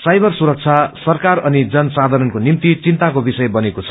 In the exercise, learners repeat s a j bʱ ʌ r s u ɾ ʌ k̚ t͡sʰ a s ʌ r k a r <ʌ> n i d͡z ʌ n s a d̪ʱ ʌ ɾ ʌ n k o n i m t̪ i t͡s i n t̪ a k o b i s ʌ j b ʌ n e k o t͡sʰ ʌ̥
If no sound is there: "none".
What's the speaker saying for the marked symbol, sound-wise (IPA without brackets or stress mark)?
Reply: ʌ